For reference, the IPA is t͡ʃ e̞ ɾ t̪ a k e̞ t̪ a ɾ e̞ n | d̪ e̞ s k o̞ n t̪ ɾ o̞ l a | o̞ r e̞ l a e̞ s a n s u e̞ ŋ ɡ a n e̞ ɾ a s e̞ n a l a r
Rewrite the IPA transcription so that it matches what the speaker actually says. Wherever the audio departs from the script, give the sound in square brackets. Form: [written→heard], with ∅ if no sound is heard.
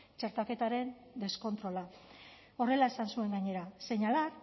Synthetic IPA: t͡ʃ e̞ ɾ t̪ a k e̞ t̪ a ɾ e̞ n | d̪ e̞ s k o̞ n t̪ ɾ o̞ l a | o̞ r e̞ l a e̞ s a n s u e̞ ŋ ɡ a [n→ɲ] e̞ ɾ a s e̞ [n→ɲ] a l a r